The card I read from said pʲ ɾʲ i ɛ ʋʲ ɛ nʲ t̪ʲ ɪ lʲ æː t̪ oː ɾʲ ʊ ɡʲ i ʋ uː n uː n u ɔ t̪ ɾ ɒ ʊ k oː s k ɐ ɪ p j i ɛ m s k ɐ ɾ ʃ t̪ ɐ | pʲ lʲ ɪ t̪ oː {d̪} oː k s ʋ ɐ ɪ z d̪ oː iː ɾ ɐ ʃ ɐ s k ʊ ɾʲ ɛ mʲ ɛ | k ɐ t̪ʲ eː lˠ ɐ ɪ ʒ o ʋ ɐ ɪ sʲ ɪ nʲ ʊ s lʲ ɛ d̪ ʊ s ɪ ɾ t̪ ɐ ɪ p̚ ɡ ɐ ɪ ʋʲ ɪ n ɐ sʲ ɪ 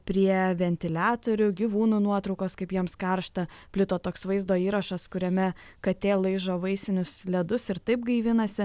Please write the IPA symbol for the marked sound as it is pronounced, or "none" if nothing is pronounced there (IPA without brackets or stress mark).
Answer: t̪